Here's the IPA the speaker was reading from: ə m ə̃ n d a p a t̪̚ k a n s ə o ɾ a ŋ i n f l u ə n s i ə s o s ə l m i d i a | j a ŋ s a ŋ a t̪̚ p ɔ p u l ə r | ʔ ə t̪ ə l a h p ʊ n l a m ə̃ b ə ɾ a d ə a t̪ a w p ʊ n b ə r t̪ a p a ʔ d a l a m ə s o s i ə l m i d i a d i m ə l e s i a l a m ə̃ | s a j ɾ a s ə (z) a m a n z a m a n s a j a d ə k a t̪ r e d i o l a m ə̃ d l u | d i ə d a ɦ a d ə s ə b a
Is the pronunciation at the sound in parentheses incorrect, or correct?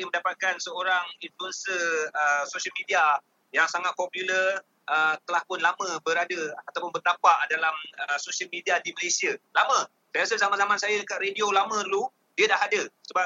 correct